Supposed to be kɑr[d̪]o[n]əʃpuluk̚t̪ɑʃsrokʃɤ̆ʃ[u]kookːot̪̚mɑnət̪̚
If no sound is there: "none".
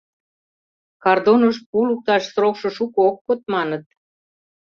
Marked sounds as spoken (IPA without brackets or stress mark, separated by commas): d̪, n, u